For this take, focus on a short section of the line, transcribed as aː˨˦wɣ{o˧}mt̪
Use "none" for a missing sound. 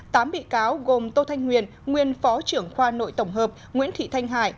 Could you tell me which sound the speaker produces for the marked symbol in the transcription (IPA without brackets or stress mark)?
o˨˩